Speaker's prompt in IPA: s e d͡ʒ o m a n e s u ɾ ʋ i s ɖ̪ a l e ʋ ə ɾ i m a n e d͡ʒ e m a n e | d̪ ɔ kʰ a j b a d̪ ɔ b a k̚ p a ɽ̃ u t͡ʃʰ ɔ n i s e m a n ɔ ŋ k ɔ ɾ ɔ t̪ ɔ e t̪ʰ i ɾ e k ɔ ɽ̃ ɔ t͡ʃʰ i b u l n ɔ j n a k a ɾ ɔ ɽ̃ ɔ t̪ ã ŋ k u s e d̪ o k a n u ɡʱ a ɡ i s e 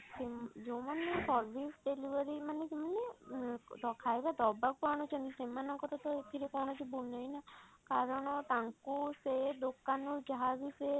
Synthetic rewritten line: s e d͡ʒ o m a n e s ɔ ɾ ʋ i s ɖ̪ e l i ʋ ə ɾ i m a n e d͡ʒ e m a n e | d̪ ɔ kʰ a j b a d̪ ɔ b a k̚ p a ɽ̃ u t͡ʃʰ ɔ n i s e m a n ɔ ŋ k ɔ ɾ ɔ t̪ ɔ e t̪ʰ i ɾ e k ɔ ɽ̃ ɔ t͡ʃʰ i b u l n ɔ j n a k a ɾ ɔ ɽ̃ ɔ t̪ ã ŋ k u s e d̪ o k a n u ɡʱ a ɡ i s e

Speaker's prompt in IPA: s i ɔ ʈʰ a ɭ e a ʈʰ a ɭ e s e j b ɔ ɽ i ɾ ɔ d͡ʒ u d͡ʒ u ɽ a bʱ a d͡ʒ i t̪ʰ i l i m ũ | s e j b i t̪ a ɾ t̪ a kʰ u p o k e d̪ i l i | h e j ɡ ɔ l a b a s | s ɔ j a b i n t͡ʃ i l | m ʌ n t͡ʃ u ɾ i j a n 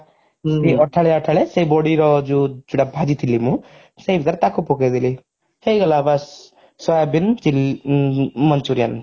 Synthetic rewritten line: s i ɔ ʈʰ a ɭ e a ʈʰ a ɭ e s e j b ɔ ɽ i ɾ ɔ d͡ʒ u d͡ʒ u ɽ a bʱ a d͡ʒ i t̪ʰ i l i m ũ | s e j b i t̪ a ɾ t̪ a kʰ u p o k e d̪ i l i | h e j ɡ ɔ l a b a s | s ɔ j a b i n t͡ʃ i l | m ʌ n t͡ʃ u ɾ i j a n

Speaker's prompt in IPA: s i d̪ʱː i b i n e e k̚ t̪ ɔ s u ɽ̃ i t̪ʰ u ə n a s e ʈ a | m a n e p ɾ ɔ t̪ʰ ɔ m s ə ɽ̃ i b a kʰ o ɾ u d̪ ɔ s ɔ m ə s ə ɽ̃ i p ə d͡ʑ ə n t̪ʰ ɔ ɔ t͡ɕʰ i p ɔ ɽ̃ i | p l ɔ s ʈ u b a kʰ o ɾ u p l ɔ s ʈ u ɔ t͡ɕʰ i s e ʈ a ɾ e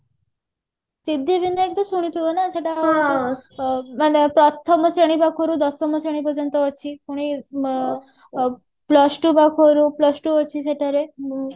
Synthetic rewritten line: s i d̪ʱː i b i n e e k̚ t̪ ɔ s u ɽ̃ i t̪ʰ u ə n a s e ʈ a | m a n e p ɾ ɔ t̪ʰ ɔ m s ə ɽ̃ i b a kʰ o ɾ u d̪ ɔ s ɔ m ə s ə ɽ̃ i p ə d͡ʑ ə n t̪ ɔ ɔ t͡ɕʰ i p u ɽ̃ i | p l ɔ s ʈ u b a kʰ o ɾ u p l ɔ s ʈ u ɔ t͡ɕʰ i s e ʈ a ɾ e

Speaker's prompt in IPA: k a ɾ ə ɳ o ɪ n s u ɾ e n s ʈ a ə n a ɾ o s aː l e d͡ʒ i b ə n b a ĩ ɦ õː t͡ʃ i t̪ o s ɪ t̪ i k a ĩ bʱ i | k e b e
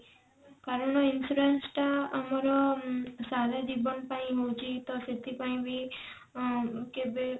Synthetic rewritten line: k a ɾ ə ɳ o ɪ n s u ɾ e n s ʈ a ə m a ɾ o s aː l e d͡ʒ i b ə n p a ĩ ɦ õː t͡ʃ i t̪ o s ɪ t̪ i p a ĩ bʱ i | k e b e

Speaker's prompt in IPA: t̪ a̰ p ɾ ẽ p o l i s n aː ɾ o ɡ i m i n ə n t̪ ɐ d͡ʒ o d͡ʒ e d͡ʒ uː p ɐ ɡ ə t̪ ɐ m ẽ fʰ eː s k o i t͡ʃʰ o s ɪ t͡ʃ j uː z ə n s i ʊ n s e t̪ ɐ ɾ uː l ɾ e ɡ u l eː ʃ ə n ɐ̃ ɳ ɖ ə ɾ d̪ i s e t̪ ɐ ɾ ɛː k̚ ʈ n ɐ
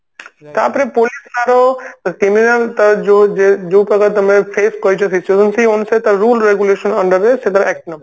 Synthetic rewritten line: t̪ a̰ p ɾ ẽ p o l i s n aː ɾ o k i m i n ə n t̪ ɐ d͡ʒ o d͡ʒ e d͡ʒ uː p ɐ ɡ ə t̪ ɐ m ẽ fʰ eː s k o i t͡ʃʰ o s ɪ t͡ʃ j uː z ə n s i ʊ n s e t̪ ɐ ɾ uː l ɾ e ɡ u l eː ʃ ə n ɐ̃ ɳ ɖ ə ɾ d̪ e s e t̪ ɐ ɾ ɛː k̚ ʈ n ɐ

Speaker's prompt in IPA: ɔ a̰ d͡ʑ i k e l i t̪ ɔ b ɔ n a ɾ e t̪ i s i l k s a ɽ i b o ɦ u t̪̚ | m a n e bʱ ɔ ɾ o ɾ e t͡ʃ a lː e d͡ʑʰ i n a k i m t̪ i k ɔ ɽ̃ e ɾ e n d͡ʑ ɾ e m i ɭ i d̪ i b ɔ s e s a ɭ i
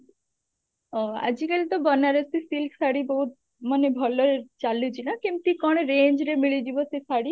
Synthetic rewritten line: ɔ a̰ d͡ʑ i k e l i t̪ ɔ b ɔ n a ɾ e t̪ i s i l k s a ɽ i b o ɦ u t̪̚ | m a n e bʱ ɔ l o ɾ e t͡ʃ a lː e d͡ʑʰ i n a k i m t̪ i k ɔ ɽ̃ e ɾ e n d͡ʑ ɾ e m i ɭ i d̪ i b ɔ s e s a ɽ i

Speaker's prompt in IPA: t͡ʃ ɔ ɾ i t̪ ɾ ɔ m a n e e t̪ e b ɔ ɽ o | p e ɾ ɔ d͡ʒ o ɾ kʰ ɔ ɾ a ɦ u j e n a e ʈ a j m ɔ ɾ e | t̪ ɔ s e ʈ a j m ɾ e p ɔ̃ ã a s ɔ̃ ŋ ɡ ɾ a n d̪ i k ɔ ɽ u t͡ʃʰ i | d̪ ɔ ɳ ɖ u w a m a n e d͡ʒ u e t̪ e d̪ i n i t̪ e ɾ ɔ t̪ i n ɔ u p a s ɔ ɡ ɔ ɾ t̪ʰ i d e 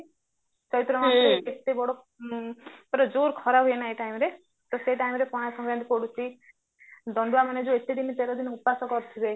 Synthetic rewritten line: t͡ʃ ɔ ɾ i t̪ ɾ ɔ m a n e e t̪ e b ɔ ɽ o | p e ɾ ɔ d͡ʒ o ɾ kʰ ɔ ɾ a ɦ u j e n a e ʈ a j m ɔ ɾ e | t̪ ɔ s e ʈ a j m ɾ e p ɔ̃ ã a s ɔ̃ ŋ ɡ ɾ a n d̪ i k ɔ ɽ u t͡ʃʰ i | d̪ ɔ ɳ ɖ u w a m a n e d͡ʒ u e t̪ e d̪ i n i t̪ e ɾ ɔ d̪ i n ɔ u p a s ɔ k ɔ ɾ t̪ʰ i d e

